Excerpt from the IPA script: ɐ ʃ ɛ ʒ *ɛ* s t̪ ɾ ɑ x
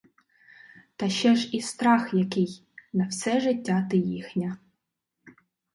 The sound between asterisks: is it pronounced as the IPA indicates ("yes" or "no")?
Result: no